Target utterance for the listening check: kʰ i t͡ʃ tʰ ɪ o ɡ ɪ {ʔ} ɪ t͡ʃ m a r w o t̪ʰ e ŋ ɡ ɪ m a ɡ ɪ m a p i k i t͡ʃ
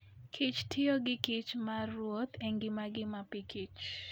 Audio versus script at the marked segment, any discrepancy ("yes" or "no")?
yes